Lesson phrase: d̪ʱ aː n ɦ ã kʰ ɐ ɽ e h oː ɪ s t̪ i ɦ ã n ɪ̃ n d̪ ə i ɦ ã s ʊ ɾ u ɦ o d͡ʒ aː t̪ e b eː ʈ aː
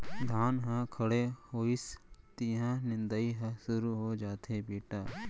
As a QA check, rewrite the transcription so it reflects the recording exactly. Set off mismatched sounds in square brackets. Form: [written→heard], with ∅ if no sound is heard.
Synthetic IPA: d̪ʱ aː n ɦ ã kʰ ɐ ɽ e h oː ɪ s t̪ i ɦ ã n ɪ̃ n d̪ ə i ɦ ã s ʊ ɾ u ɦ o d͡ʒ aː t̪ e b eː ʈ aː